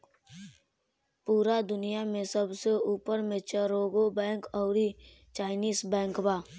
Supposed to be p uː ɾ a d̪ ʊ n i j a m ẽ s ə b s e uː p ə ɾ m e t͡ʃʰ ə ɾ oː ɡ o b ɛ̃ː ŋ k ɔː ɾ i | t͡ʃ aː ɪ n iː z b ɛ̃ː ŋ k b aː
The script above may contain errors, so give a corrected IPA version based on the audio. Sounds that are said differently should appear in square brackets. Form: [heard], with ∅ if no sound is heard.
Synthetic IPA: p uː ɾ a d̪ ʊ n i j a m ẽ s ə b s e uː p ə ɾ m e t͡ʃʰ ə ɾ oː ɡ o b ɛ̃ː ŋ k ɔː ɾ i | t͡ʃ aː ɪ n iː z b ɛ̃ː ŋ k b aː